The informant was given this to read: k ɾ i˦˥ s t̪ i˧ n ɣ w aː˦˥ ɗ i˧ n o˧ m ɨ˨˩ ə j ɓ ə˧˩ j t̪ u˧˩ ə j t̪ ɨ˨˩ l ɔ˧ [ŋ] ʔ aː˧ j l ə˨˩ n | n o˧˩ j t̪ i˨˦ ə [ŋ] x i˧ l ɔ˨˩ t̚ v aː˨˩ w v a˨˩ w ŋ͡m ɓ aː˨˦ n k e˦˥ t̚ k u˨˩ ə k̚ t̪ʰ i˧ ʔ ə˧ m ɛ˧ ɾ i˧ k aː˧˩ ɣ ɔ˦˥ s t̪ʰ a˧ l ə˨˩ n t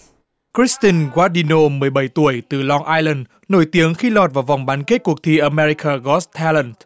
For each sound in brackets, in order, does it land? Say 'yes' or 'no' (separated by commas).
yes, yes